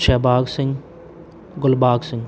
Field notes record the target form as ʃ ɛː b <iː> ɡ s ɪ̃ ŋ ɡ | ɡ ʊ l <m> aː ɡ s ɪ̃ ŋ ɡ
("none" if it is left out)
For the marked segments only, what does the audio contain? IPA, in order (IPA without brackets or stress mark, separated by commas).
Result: aː, b